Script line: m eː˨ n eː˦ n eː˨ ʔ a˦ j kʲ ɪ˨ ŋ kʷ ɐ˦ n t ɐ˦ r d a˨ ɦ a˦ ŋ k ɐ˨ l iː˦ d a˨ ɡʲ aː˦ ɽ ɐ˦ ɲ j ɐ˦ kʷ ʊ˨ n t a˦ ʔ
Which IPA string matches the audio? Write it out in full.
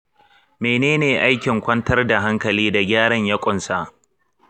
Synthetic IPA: m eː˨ n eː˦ n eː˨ ʔ a˦ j kʲ ɪ˨ ŋ kʷ ɐ˦ n t ɐ˦ r d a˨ ɦ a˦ ŋ k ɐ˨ l iː˦ d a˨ ɡʲ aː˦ ɽ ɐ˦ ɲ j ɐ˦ kʷʼ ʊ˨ n s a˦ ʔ